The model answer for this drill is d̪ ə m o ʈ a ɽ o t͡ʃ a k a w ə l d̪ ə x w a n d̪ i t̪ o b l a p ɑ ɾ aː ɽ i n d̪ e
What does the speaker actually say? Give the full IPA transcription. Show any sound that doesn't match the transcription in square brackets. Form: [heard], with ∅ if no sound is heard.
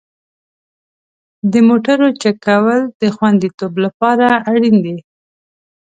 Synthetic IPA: d̪ ə m o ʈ a [ɾ] o t͡ʃ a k a w ə l d̪ ə x w a n d̪ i t̪ o b l a p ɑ ɾ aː ɽ i n d̪ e